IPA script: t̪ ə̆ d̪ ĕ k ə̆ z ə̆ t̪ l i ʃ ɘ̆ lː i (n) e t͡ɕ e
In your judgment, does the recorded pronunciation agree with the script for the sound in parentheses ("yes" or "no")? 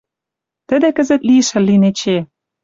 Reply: yes